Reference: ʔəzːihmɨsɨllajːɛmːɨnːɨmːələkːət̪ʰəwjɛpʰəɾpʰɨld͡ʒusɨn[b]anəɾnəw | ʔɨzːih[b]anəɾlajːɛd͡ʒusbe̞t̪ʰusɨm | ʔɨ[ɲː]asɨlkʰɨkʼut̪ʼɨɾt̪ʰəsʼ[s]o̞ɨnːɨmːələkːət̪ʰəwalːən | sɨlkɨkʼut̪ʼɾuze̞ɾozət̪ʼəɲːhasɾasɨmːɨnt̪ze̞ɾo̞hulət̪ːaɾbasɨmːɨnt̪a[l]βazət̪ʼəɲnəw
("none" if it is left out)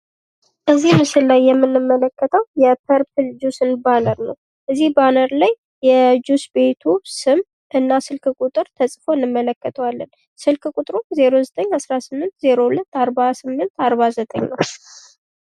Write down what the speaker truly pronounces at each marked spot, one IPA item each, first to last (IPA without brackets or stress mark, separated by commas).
b, b, nː, f, ɾ